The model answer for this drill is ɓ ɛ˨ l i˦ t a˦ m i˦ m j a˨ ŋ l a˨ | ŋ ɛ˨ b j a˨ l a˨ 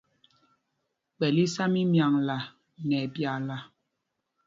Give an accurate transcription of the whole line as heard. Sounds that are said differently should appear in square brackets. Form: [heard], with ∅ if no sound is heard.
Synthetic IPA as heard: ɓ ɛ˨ l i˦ [s] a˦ m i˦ m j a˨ ŋ l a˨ | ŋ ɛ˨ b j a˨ l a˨